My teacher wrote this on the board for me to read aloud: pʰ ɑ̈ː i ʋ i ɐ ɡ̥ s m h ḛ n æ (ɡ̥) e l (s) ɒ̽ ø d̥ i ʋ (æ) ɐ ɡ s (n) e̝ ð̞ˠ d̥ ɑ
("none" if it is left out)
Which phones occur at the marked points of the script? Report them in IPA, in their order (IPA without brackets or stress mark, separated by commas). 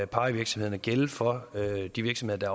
ɡ̥, f, i, m